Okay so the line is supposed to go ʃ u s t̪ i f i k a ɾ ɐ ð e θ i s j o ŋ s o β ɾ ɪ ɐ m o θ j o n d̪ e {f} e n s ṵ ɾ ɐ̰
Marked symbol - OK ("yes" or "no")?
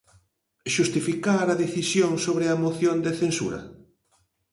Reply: no